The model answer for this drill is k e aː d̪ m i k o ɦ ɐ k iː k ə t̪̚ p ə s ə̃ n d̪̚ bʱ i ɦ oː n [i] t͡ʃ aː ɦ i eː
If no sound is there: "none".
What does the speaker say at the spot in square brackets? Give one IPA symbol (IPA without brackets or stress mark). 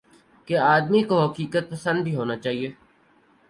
a